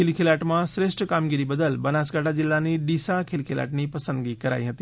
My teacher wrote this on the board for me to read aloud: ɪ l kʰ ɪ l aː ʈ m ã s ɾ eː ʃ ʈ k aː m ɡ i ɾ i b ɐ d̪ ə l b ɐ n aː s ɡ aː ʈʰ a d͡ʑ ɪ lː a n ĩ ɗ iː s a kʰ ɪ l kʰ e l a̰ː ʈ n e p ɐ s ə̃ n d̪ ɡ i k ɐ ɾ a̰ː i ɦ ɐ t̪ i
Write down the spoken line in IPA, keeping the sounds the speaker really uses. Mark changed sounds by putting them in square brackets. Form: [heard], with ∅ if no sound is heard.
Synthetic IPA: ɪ l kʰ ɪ l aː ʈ m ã s ɾ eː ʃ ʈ k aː m ɡ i ɾ i b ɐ d̪ ə l b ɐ n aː s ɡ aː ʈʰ a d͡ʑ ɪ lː a n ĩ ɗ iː s a kʰ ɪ l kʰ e l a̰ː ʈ n [i] p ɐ s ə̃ n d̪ ɡ i k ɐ ɾ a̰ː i ɦ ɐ t̪ i